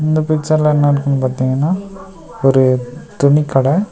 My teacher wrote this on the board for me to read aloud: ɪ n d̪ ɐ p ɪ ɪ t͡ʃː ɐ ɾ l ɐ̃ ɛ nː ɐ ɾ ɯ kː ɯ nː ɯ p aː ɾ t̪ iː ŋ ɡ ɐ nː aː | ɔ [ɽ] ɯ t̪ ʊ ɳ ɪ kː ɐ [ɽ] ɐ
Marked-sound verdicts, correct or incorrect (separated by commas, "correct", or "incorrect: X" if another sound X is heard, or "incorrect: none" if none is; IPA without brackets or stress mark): incorrect: ɾ, correct